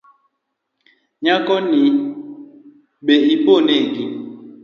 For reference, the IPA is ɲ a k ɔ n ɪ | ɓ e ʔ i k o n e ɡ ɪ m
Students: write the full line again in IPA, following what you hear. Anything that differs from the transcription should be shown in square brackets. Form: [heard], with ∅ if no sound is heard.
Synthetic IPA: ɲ a k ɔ n [i] | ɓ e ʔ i [p] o n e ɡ [i] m